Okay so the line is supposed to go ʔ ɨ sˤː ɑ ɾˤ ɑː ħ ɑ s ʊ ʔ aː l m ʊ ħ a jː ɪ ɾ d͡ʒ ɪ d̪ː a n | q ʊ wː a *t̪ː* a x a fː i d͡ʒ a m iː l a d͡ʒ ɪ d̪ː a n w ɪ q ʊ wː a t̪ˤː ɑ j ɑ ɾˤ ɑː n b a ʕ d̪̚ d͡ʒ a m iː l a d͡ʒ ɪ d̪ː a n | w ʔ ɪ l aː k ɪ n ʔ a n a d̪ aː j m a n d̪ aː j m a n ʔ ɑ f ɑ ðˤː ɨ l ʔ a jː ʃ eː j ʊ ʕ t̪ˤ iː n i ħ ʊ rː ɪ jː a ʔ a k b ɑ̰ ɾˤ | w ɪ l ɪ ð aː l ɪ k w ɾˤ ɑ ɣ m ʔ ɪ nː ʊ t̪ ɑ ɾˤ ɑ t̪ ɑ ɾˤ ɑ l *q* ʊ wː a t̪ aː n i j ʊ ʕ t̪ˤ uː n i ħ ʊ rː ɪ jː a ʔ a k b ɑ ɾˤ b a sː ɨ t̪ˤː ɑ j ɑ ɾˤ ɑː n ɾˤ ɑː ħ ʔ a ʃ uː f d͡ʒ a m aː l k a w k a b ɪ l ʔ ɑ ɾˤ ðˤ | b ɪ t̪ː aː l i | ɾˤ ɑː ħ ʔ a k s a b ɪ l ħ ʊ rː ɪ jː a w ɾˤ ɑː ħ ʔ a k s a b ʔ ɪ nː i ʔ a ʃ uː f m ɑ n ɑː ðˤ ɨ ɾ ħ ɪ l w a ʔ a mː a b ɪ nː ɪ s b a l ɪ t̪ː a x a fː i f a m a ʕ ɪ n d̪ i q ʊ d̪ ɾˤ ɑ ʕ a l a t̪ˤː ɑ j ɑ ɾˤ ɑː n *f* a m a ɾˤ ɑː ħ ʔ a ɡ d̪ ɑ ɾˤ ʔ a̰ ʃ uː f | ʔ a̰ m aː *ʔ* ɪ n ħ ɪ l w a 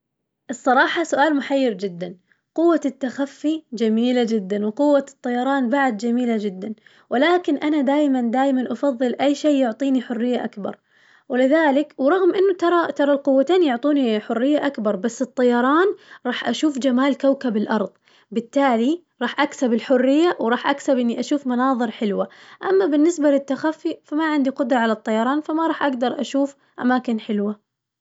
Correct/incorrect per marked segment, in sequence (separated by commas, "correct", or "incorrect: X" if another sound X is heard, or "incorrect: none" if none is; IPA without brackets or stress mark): correct, correct, correct, incorrect: k